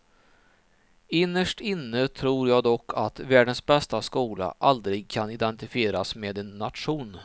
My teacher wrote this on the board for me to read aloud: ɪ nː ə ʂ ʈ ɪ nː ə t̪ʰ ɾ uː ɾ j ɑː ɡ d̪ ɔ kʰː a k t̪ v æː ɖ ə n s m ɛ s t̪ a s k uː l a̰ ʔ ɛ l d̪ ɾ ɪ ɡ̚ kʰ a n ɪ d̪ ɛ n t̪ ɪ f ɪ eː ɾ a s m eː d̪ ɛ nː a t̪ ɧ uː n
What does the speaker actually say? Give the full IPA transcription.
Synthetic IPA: ɪ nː ə ʂ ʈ ɪ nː ə t̪ʰ ɾ uː ɾ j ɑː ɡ d̪ ɔ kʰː a t̪ v æː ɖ ə n s b ɛ s t̪ a s k uː l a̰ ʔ a l d̪ ɾ ɪ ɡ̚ kʰ a n ɪ d̪ ɛ n t̪ ɪ f ɪ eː ɾ a s m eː d̪ ɛ nː a t̪ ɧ uː n